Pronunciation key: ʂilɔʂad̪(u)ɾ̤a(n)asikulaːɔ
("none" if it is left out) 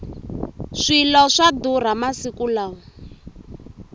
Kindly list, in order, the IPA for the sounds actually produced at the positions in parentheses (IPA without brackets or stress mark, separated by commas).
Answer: u, m